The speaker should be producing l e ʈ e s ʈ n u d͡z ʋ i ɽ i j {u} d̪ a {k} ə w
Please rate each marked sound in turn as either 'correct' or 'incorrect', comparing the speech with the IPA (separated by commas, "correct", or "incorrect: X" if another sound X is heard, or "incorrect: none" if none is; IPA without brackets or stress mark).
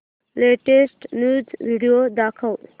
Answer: incorrect: o, incorrect: kʰ